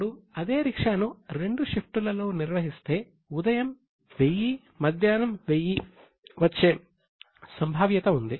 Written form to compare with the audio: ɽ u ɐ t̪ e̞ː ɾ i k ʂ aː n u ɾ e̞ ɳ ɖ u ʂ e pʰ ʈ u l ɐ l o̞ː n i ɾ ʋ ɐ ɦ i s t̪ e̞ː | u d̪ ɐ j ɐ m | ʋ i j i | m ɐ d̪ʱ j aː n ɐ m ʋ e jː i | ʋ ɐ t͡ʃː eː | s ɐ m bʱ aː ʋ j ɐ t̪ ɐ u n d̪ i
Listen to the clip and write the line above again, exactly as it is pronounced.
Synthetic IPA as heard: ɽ u ɐ d̪ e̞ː ɾ i k ʂ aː n u ɾ e̞ ɳ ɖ u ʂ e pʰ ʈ u l ɐ l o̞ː n i ɾ ʋ ɐ ɦ i s t̪ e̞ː | u d̪ ɐ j ɐ m | ʋ e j i | m ɐ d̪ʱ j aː n ɐ m ʋ e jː i | ʋ ɐ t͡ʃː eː | s ɐ m bʱ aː ʋ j ɐ t̪ ɐ u n d̪ i